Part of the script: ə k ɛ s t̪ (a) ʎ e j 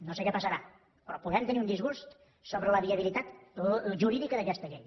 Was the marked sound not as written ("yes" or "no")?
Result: yes